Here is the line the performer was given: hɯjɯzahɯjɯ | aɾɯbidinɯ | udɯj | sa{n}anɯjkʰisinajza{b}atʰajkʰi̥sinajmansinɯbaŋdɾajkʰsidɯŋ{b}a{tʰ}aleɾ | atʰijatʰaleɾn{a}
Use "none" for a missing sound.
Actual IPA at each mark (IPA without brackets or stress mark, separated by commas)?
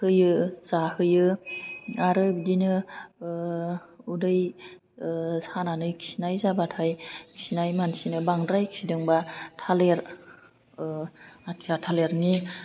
n, b, b, tʰ, i